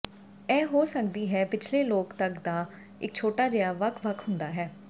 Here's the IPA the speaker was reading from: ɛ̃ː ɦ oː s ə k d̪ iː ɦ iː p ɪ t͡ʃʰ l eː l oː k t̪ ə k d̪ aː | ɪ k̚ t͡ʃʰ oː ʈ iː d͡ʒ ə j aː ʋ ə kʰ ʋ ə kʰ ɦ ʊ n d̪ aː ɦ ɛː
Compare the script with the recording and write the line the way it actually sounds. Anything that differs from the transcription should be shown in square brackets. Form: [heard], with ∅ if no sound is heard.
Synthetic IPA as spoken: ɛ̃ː ɦ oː s ə k d̪ iː ɦ [ɛː] p ɪ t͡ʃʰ l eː l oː k t̪ ə k d̪ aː | ɪ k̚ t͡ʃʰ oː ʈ [aː] d͡ʒ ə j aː ʋ ə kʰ ʋ ə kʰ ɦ ʊ n d̪ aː ɦ ɛː

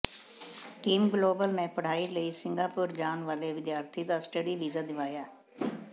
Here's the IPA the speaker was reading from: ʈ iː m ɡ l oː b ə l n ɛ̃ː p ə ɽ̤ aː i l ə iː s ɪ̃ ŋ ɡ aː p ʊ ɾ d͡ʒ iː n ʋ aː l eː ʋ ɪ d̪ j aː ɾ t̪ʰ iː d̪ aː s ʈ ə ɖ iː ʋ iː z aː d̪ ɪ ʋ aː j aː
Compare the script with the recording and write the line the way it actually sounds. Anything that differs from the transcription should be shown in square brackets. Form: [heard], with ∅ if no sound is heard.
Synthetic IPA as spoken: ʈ iː m ɡ l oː b ə l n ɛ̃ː p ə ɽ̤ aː i l ə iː s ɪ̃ ŋ ɡ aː p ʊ ɾ d͡ʒ [aː] n ʋ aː l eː ʋ ɪ d̪ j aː ɾ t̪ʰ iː d̪ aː s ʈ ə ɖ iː ʋ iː z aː d̪ ɪ ʋ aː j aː

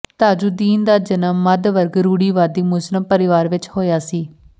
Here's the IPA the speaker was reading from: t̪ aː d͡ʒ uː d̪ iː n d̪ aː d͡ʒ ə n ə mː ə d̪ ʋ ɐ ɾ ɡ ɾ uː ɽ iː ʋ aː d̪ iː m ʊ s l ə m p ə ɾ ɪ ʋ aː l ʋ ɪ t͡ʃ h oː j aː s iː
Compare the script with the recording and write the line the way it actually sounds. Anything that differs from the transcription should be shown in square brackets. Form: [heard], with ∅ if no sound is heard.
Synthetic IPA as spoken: t̪ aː d͡ʒ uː d̪ iː n d̪ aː d͡ʒ ə n ə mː ə d̪ ʋ [ə] ɾ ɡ ɾ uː ɽ iː ʋ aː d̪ iː m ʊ s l ə m p ə ɾ ɪ ʋ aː [ɾ] ʋ ɪ t͡ʃ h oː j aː s iː

